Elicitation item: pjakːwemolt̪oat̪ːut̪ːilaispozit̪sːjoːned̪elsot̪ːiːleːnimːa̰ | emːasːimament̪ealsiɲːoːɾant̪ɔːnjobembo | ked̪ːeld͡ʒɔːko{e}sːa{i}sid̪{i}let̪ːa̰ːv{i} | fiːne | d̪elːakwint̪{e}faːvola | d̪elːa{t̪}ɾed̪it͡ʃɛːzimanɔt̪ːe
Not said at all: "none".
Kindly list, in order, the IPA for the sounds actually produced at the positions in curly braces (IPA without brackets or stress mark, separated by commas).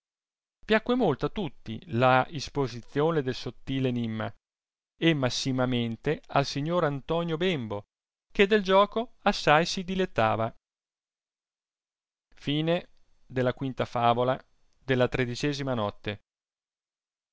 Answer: a, j, i, a, a, t̪